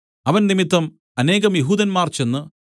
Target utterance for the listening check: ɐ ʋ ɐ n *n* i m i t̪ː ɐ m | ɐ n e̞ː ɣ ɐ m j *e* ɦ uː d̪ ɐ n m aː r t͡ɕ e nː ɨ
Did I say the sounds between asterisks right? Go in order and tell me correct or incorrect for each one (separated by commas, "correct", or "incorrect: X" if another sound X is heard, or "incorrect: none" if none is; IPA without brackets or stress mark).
correct, correct